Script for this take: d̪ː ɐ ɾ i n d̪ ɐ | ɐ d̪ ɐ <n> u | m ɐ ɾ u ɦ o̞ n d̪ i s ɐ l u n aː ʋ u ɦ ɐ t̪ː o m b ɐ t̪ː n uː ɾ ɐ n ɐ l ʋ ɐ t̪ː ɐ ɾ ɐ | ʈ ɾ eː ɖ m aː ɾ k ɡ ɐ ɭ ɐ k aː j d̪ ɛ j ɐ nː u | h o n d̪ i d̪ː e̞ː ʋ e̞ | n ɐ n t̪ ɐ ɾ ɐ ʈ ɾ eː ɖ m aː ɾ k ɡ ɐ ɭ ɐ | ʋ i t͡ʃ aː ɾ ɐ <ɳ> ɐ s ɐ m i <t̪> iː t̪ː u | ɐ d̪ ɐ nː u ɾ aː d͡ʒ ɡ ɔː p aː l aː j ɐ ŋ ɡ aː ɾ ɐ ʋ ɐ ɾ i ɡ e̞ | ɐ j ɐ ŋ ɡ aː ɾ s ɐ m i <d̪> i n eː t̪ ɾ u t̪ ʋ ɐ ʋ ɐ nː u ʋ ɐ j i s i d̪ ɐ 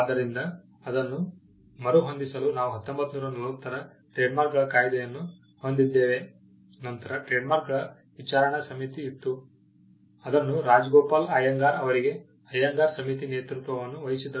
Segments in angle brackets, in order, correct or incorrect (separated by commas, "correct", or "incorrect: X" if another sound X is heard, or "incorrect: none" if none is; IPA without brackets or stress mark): incorrect: nː, correct, correct, incorrect: t̪